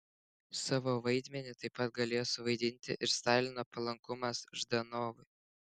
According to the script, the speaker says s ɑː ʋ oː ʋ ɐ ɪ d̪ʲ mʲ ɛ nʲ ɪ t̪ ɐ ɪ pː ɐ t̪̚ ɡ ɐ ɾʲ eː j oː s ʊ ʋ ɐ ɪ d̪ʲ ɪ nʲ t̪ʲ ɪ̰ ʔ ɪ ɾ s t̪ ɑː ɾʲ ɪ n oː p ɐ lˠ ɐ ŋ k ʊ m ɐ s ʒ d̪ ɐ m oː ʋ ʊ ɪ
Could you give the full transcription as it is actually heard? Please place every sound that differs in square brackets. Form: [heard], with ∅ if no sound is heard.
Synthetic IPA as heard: s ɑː ʋ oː ʋ ɐ ɪ d̪ʲ mʲ ɛ nʲ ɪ t̪ ɐ ɪ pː ɐ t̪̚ ɡ ɐ [lʲ] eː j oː s ʊ ʋ ɐ ɪ d̪ʲ ɪ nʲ t̪ʲ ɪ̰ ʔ ɪ ɾ s t̪ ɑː [lʲ] ɪ n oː p ɐ lˠ ɐ ŋ k ʊ m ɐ s ʒ d̪ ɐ [n] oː ʋ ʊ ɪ